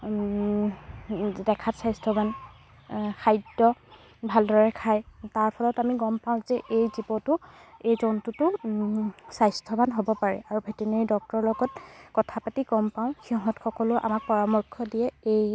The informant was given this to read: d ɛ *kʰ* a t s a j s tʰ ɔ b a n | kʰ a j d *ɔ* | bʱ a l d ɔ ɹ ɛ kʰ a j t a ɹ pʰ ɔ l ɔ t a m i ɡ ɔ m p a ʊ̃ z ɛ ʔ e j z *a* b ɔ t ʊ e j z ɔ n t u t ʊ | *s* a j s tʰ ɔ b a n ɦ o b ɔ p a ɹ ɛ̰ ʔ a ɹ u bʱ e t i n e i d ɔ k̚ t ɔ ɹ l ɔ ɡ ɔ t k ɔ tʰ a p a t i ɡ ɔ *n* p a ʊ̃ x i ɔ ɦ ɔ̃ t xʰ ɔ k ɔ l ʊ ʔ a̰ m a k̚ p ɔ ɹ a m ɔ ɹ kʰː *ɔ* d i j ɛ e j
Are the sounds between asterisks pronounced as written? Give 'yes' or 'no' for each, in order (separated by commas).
yes, yes, no, yes, no, yes